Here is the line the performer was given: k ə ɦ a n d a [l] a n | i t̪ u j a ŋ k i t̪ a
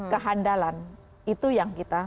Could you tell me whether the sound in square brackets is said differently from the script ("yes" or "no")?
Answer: no